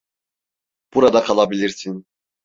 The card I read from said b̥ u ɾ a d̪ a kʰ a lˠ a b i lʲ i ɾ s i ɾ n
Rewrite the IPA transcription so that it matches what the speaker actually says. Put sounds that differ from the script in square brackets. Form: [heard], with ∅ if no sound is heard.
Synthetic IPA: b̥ u ɾ a d̪ a kʰ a lˠ a b i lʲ i ɾ s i [∅] n